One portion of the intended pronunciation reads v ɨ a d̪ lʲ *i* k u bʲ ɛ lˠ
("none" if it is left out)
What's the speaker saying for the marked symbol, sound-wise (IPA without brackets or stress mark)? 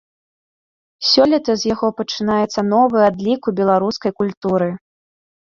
i